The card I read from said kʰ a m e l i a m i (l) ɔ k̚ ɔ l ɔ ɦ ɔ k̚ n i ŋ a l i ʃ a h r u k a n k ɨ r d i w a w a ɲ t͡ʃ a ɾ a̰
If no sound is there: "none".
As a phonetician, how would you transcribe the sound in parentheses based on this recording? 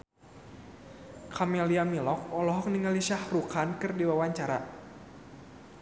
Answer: l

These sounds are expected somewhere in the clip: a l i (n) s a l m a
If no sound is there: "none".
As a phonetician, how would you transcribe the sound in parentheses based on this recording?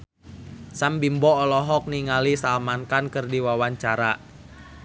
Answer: none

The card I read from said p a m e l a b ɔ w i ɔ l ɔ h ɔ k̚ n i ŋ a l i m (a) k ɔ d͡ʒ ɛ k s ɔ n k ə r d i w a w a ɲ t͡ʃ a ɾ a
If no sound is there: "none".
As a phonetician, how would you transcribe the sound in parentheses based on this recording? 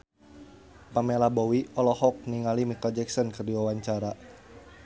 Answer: i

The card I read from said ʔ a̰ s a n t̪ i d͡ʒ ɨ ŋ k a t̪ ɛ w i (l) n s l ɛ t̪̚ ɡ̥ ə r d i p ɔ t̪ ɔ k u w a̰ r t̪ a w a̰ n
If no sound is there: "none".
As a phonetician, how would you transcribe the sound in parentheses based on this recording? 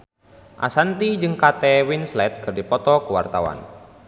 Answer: none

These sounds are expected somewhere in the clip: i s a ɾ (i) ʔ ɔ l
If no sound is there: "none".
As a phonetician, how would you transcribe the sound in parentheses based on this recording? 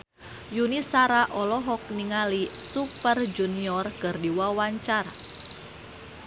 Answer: a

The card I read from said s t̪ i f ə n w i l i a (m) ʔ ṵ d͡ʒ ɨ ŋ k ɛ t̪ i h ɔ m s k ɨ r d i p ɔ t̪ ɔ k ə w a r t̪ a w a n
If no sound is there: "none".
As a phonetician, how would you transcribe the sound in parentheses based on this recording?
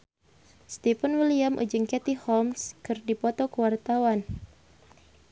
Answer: m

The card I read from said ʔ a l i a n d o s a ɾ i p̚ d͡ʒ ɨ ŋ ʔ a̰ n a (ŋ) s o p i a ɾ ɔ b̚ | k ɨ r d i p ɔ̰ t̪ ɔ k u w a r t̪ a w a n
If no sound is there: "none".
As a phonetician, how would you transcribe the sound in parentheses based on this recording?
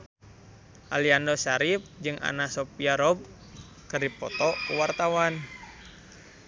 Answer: none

